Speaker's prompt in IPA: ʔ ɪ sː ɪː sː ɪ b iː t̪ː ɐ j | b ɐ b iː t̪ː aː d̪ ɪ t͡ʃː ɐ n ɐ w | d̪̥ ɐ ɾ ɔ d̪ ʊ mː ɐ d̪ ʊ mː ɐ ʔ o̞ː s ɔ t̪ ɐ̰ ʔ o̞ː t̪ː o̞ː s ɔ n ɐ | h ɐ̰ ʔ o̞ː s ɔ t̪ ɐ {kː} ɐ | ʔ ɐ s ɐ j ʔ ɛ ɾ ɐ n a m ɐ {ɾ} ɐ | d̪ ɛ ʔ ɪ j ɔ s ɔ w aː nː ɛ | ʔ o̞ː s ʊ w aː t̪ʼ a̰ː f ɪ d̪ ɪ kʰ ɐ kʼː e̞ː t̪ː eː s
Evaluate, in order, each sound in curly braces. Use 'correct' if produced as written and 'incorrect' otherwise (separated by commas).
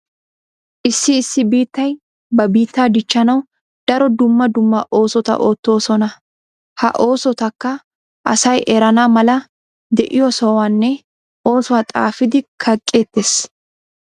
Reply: correct, incorrect